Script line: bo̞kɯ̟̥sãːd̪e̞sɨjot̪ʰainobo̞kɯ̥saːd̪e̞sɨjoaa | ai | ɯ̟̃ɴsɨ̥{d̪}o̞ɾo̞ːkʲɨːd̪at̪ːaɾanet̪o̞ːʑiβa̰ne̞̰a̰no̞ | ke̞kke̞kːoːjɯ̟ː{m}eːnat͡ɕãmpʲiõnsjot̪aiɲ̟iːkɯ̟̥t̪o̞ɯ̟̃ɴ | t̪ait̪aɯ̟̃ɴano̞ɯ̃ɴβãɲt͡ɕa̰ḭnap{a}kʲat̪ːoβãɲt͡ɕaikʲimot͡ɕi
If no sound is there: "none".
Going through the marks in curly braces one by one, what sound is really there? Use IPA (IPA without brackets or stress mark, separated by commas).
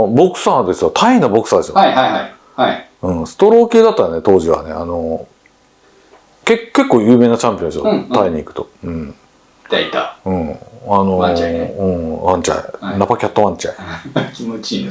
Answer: t̪, m, a